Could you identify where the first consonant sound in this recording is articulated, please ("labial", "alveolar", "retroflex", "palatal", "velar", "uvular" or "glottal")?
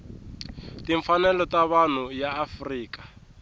alveolar